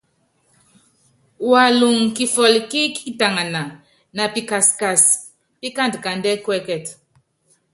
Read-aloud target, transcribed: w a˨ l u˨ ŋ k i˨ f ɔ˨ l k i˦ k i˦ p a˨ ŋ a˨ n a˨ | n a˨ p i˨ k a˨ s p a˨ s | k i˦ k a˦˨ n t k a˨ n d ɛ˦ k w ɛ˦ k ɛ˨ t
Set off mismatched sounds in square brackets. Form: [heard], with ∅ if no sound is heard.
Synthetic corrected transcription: w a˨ l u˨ ŋ k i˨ f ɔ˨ l k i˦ k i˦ [t] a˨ ŋ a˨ n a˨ | n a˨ p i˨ k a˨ s [k] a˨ s | [p] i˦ k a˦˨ n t k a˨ n d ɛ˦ k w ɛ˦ k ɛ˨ t

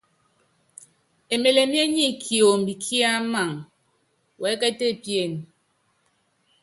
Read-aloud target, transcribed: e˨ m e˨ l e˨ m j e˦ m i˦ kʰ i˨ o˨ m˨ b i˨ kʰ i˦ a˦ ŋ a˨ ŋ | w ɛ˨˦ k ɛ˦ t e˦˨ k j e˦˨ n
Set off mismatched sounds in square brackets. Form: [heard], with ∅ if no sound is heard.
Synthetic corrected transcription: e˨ m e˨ l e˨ m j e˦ [ɲ] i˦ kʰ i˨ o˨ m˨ b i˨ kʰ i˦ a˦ [m] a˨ ŋ | w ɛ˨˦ k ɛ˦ t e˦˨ [p] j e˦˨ n

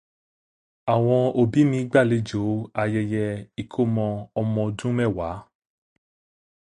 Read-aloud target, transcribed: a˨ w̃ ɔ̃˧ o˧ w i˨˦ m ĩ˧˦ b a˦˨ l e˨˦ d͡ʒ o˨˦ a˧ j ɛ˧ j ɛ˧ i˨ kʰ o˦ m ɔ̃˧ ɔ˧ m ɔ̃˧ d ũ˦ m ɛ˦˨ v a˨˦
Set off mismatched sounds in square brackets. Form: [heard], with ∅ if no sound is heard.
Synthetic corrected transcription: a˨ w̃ ɔ̃˧ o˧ [b] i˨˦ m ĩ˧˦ [ɡ͡b] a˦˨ l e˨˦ d͡ʒ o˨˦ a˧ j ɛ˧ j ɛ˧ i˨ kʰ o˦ m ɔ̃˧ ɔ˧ m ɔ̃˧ d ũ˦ m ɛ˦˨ [w] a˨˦

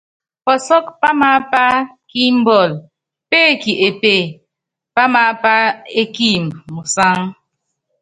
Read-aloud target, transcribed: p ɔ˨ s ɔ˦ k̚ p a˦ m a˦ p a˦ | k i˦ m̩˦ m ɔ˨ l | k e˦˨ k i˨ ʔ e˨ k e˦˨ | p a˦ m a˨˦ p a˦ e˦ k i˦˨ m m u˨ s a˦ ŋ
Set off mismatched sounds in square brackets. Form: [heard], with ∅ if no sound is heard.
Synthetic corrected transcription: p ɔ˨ s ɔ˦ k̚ p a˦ m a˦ p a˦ | k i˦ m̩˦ [b] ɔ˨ l | [p] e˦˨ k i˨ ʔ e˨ [p] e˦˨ | p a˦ m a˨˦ p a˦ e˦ k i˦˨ m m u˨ s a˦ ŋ

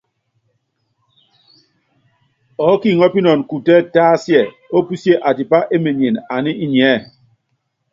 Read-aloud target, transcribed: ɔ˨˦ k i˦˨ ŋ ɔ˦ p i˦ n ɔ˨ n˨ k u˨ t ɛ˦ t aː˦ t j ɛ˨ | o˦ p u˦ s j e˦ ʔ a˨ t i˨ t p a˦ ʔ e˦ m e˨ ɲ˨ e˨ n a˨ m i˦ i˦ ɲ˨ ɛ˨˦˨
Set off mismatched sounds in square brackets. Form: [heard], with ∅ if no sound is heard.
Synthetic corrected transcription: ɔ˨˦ k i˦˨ ŋ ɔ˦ p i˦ n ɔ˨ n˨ k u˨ t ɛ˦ t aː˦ [s] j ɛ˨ | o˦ p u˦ s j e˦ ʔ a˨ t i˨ [∅] p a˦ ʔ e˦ m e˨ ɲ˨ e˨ n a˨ [n] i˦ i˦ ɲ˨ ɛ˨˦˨

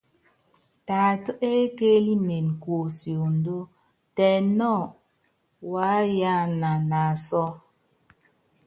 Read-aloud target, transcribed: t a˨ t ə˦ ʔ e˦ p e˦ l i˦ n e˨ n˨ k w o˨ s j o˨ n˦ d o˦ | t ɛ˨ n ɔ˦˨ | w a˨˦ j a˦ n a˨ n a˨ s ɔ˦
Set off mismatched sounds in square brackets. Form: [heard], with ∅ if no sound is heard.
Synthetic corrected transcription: t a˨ t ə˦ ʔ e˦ [k] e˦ l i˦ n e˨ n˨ k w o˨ s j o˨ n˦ d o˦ | t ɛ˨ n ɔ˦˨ | w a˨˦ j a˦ n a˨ n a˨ s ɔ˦

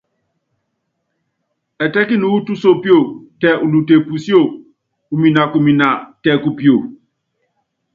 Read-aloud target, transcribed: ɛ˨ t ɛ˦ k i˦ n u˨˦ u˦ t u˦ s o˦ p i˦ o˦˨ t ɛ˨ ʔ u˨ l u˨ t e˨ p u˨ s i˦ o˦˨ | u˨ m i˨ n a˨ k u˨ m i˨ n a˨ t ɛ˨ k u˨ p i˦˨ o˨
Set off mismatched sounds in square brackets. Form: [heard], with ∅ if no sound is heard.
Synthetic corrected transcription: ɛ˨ t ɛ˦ k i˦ n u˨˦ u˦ t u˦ s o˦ p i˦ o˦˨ t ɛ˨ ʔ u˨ l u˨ t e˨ p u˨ s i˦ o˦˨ | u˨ m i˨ n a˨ k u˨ m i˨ n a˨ t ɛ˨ k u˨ p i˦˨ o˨

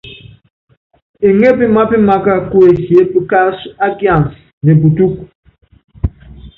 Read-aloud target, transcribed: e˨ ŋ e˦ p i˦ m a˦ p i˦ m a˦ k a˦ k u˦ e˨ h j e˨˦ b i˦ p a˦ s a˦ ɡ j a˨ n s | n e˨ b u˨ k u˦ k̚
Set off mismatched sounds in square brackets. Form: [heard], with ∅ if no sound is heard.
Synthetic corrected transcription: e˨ ŋ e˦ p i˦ m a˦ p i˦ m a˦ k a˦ k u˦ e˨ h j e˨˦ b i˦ [k] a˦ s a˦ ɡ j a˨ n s | n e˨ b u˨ [t] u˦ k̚

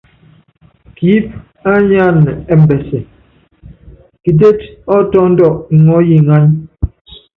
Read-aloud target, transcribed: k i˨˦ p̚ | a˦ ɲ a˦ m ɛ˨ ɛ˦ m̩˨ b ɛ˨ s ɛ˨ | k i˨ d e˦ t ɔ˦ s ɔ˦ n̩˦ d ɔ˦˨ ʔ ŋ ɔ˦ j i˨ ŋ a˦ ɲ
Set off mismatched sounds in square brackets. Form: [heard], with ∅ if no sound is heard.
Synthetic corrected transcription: k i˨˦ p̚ | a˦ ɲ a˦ [n] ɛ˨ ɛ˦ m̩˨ b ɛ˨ s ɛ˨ | k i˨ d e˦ t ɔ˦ [t] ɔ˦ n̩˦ d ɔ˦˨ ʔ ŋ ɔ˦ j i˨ ŋ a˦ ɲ

